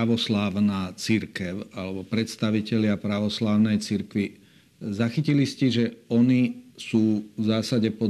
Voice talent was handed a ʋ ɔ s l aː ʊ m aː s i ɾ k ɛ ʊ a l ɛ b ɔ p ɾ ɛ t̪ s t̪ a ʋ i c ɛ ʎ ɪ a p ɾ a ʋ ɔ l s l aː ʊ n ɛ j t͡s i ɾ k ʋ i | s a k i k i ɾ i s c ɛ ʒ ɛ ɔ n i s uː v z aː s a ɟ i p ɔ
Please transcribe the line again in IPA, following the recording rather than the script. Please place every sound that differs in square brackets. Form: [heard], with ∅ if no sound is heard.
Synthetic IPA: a ʋ ɔ s l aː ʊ [n] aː [t͡s] i ɾ k ɛ ʊ a l ɛ b ɔ p ɾ ɛ t̪ s t̪ a ʋ i c ɛ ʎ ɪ a p ɾ a ʋ ɔ [∅] s l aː ʊ n ɛ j t͡s i ɾ k ʋ i | [z] a [x] i [c] i [l] i s c ɛ ʒ ɛ ɔ n i s uː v z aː s a ɟ [ɛ] p ɔ